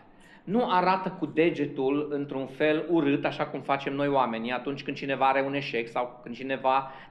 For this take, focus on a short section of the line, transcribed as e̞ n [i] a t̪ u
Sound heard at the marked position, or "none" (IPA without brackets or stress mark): i